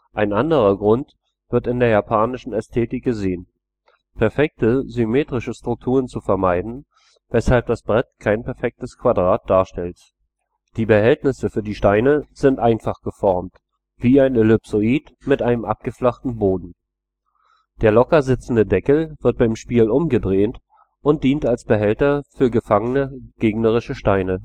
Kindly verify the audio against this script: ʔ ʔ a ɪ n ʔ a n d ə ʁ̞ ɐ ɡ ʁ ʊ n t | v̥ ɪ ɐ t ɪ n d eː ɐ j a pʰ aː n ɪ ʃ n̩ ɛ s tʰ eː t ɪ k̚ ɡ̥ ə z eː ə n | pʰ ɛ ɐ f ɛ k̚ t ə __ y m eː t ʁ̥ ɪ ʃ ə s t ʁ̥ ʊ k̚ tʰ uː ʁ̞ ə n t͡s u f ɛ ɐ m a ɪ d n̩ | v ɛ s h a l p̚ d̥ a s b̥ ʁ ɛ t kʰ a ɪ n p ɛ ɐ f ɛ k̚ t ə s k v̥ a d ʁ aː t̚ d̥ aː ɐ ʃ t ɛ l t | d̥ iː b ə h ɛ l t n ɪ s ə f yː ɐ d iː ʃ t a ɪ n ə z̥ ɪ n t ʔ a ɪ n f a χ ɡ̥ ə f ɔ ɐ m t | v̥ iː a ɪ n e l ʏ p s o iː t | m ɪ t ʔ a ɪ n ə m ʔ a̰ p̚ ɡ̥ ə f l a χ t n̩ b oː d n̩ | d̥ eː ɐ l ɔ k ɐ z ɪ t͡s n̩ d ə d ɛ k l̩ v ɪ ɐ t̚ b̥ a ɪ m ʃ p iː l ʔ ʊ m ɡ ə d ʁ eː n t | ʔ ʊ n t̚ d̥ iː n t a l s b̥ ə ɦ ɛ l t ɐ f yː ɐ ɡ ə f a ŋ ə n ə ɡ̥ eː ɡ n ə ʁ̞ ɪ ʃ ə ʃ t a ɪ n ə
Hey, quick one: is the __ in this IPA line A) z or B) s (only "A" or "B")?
A